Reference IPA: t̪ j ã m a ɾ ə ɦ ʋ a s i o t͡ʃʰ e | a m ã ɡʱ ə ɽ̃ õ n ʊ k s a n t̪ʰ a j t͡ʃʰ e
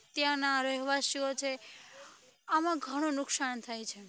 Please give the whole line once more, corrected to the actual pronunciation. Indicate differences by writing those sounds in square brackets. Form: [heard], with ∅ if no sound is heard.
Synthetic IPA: t̪ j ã [n] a ɾ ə ɦ ʋ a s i o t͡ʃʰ e | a m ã ɡʱ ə ɽ̃ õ n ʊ k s a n t̪ʰ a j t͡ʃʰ e